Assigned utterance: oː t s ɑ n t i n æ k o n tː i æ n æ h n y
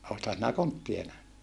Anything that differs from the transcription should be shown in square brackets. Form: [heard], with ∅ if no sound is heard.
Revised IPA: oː t [h] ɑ n [s] i n æ k o n tː i [e] n æ h n y